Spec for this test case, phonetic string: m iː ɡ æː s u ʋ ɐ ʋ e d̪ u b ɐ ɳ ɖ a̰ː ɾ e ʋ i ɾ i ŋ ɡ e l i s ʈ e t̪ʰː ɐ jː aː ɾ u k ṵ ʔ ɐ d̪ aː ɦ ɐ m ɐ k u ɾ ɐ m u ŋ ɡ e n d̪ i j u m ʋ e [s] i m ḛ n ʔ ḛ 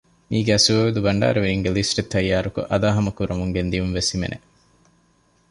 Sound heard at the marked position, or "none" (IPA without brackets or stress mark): s